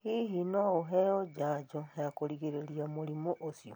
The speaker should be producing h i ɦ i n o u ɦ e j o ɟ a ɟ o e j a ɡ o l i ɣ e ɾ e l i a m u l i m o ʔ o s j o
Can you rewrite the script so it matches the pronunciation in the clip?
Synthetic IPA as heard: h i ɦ i n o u ɦ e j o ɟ a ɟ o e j a k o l i ɣ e ɾ e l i a m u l i m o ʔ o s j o